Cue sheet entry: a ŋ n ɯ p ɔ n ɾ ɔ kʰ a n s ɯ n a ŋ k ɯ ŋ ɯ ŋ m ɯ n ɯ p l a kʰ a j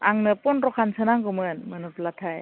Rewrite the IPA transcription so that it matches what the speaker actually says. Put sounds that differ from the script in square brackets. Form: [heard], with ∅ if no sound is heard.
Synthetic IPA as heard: a ŋ n ɯ p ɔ n ɾ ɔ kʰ a n s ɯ n a ŋ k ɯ [m] ɯ [n] m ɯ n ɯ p l a [tʰ] a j